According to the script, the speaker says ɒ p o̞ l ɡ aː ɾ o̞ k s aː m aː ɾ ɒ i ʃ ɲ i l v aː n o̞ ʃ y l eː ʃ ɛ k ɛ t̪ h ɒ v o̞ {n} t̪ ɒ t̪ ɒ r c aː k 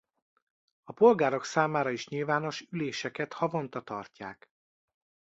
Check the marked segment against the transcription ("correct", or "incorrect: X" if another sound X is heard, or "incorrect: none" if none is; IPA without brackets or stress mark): correct